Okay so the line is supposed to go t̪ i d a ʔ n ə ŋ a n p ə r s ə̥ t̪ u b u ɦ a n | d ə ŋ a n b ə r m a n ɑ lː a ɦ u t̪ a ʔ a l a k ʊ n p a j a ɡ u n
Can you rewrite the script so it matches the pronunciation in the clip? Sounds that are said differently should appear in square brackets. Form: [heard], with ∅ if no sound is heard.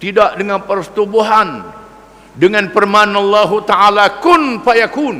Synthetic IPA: t̪ i d a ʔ [d] ə ŋ a n p ə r s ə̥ t̪ u b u ɦ a n | d ə ŋ a n [p] ə r m a n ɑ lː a ɦ u t̪ a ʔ a l a k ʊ n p a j a [k] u n